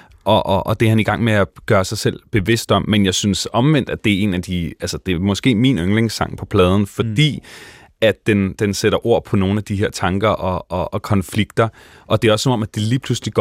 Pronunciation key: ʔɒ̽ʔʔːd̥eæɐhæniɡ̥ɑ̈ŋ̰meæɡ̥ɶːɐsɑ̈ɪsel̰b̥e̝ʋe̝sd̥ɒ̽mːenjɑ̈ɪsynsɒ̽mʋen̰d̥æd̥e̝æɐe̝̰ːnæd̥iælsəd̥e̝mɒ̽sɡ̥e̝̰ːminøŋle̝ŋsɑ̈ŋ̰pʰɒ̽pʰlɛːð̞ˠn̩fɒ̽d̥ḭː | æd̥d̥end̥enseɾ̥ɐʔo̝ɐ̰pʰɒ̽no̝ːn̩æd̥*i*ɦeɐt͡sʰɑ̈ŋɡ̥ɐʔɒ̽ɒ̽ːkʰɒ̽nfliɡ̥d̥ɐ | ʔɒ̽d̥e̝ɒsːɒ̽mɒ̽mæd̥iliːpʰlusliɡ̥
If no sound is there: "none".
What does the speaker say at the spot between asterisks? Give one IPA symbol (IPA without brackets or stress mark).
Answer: i